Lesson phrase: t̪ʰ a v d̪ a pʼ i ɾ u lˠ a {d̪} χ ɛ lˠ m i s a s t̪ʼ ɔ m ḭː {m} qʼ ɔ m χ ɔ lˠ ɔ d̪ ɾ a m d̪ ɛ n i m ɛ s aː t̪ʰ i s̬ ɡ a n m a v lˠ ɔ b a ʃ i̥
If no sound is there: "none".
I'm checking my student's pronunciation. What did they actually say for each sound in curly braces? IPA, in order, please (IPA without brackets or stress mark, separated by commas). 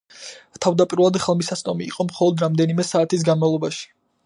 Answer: d̪, none